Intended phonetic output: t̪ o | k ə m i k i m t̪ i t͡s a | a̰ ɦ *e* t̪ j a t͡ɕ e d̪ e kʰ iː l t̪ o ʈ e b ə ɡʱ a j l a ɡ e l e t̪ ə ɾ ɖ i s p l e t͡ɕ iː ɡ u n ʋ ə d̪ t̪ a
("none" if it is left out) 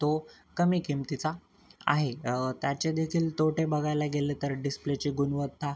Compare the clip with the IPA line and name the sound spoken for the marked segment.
e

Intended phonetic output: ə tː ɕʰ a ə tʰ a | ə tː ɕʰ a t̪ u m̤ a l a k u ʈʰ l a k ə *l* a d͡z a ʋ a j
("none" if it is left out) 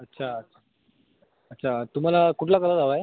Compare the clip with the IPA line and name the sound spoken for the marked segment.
l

